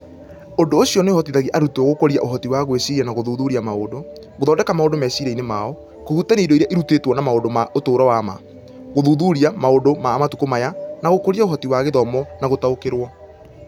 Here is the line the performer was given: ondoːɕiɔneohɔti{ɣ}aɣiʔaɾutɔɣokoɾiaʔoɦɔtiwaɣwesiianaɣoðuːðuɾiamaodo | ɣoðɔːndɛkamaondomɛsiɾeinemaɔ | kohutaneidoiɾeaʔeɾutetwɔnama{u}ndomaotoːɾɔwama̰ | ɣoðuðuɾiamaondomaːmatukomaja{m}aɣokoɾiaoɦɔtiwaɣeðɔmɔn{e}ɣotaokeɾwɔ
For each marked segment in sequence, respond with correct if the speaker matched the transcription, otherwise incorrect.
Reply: incorrect, incorrect, incorrect, incorrect

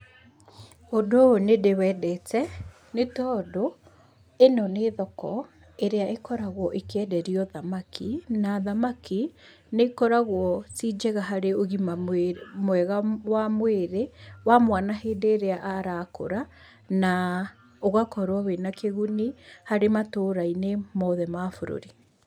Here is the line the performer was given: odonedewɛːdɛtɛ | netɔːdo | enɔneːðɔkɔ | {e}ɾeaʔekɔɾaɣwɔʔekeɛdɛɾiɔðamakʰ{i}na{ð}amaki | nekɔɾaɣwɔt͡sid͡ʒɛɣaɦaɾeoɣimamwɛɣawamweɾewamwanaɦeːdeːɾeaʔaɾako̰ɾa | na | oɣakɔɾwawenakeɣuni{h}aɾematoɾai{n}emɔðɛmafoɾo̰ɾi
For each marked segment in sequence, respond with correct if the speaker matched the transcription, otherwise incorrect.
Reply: correct, correct, correct, correct, correct

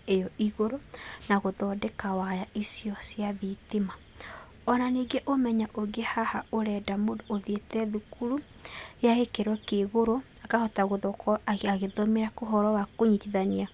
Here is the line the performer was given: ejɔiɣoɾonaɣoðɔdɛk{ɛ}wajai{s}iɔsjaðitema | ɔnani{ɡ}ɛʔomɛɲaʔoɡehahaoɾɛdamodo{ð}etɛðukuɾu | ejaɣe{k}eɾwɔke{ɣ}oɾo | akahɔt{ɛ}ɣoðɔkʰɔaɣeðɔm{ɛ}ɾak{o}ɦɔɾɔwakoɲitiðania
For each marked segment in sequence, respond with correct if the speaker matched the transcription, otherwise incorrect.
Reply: incorrect, correct, correct, correct, correct, correct, incorrect, incorrect, correct

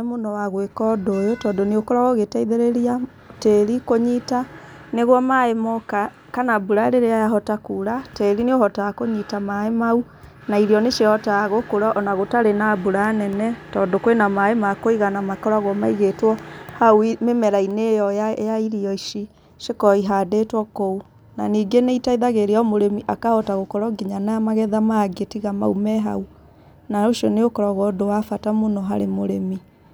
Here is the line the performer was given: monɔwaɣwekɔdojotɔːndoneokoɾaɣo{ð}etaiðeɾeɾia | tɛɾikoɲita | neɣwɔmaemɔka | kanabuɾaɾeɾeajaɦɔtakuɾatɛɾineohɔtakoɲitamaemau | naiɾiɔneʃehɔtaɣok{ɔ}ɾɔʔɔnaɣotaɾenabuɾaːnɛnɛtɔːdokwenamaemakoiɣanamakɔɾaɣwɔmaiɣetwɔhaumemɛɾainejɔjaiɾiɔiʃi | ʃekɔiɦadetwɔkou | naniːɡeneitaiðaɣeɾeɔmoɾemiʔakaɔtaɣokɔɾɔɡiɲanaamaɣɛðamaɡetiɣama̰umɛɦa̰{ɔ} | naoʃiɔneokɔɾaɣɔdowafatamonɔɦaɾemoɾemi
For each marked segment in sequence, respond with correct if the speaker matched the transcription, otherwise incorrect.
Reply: incorrect, incorrect, incorrect

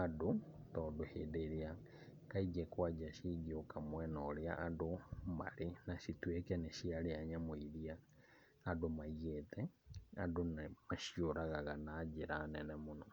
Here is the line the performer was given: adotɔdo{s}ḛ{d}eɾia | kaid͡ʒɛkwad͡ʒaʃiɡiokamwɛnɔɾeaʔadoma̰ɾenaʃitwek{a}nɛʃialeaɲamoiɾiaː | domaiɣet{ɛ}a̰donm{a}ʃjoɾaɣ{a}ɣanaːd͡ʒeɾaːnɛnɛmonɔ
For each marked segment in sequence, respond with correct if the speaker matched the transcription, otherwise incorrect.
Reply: incorrect, correct, incorrect, correct, correct, correct

